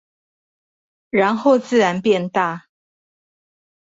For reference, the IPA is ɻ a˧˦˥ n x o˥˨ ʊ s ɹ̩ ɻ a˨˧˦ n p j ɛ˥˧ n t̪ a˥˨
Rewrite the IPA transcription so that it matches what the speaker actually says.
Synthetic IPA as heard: ɻ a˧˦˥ n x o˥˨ ʊ t͡s ɹ̩ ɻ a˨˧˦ n p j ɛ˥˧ n t̪ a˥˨